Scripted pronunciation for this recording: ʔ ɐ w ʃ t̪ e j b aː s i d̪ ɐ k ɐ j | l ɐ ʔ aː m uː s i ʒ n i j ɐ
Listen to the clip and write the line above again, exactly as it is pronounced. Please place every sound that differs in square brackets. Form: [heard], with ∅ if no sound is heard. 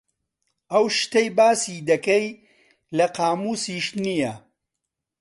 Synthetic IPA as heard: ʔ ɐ w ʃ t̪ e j b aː s i d̪ ɐ k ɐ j | l ɐ [q] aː m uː s i [ʃ] n i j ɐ